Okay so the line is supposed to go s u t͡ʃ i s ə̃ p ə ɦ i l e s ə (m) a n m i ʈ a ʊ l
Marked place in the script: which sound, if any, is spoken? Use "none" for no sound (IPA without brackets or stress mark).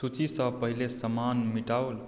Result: m